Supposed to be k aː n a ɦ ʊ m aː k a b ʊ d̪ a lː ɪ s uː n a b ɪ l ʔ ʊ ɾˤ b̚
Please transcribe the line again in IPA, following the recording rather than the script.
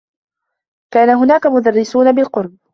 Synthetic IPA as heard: k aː n a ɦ ʊ n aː k a m ʊ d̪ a rː ɪ s uː n a b ɪ l q ʊ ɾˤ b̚